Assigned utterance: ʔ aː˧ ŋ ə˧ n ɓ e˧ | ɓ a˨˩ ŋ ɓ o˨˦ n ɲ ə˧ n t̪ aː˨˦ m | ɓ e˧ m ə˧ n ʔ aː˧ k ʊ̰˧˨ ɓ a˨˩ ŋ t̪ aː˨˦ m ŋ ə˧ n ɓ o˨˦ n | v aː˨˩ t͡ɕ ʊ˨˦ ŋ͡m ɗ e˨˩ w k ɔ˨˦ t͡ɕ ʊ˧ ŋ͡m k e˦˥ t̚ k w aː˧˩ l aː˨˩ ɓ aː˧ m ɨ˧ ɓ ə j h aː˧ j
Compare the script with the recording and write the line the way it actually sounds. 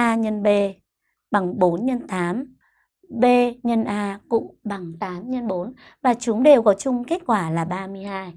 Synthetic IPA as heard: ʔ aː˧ ɲ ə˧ n ɓ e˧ | ɓ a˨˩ ŋ ɓ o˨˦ n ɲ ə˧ n t̪ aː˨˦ m | ɓ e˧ ɲ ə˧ n ʔ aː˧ k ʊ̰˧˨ ɓ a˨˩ ŋ t̪ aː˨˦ m ɲ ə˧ n ɓ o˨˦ n | v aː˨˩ t͡ɕ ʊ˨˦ ŋ͡m ɗ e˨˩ w k ɔ˨˦ t͡ɕ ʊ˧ ŋ͡m k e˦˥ t̚ k w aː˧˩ l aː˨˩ ɓ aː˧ m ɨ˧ ə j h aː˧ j